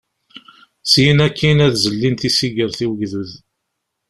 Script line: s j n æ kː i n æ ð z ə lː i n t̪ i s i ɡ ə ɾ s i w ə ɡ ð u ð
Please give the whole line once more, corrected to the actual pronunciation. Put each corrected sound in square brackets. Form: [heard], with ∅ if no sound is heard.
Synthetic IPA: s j n æ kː i n æ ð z ə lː i n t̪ i s i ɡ ə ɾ [θ] i w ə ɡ ð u ð